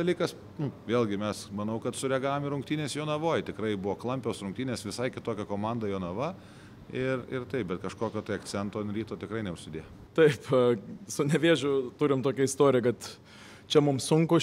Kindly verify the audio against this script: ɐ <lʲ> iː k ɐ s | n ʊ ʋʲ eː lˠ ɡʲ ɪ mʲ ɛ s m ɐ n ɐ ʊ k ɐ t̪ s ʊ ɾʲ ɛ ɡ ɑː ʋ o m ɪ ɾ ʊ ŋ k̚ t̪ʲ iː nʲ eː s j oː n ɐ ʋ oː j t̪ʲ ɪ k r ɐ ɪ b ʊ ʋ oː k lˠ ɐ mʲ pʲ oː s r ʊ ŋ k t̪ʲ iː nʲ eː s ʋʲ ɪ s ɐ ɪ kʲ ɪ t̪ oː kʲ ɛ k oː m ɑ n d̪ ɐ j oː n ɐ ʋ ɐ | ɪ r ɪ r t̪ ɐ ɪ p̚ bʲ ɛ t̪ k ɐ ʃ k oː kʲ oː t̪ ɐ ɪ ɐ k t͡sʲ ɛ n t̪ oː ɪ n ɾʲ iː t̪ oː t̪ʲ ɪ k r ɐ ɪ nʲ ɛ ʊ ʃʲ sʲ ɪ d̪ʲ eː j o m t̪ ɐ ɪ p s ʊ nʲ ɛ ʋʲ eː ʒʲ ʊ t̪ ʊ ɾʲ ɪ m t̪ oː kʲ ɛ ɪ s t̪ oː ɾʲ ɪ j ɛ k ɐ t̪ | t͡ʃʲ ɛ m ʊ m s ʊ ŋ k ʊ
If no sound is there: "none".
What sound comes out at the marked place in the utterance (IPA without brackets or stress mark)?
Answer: lʲ